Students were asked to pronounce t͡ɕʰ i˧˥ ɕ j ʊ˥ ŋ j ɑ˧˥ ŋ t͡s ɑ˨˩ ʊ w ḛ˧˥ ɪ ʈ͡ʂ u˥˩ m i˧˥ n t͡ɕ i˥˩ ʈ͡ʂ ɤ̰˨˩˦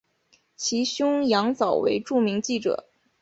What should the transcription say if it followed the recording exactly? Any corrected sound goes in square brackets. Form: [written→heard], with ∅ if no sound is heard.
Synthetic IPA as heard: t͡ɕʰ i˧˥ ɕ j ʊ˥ ŋ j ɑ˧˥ ŋ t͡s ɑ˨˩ ʊ w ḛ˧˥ ɪ ʈ͡ʂ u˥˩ m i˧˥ [n→ŋ] t͡ɕ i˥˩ ʈ͡ʂ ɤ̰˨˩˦